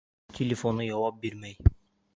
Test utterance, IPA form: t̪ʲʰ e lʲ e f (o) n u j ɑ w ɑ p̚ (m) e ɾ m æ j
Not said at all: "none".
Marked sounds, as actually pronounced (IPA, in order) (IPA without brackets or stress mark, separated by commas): o, b